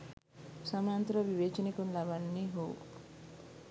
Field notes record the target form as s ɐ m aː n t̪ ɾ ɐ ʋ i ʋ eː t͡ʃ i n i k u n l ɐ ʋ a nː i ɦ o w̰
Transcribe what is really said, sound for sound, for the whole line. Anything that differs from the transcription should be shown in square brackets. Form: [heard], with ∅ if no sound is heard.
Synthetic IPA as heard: s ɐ m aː n t̪ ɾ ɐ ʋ i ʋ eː t͡ʃ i n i k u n l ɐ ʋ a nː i ɦ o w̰